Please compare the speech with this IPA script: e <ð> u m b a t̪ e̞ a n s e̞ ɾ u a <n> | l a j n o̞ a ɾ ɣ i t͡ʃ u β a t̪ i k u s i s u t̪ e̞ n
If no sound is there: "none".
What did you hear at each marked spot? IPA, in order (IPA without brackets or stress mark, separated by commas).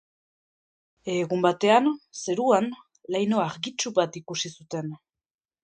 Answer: ɣ, n